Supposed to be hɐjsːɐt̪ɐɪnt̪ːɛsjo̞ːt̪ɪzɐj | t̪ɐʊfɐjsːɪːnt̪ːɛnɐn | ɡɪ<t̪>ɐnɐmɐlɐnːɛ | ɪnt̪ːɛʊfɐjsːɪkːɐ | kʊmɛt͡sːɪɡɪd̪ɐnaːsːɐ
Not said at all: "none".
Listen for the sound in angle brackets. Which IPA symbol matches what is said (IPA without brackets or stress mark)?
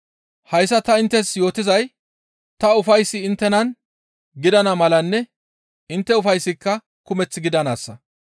d̪